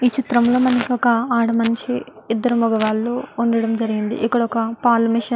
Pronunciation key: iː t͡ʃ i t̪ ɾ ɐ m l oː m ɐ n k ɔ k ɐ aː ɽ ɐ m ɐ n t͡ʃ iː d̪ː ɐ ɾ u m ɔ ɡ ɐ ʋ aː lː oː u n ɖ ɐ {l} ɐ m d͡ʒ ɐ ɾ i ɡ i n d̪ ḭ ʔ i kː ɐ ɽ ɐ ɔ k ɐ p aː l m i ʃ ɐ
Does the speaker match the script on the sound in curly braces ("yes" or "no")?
no